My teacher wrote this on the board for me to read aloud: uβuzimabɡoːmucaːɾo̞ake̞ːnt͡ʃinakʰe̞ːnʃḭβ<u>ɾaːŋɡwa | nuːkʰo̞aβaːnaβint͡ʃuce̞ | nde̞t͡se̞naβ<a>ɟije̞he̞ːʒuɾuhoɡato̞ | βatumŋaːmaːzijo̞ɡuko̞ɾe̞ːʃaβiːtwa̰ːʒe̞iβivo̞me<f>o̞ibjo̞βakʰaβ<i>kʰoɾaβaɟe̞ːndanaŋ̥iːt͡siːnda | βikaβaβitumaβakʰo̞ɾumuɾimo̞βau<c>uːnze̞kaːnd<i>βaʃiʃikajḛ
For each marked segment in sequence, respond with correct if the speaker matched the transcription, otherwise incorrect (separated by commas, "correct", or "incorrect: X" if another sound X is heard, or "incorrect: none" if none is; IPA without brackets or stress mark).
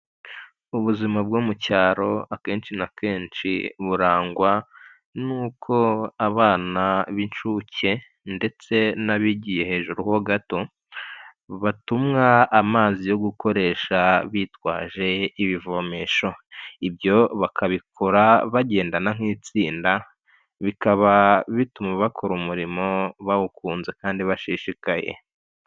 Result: correct, incorrect: i, incorrect: ʃ, correct, incorrect: k, correct